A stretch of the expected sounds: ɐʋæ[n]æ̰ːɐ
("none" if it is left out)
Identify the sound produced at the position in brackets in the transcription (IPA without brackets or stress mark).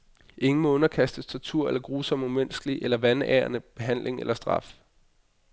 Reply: n